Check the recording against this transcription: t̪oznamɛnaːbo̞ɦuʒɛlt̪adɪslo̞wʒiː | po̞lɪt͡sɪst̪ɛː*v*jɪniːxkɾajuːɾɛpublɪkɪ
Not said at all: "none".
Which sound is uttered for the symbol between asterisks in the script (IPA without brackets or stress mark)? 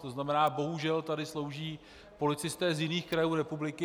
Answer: z